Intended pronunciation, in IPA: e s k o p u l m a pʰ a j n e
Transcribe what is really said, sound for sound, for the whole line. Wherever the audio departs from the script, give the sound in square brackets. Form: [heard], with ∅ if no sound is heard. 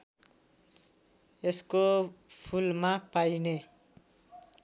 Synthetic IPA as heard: e s k o [pʰ] u l m a [p] a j n e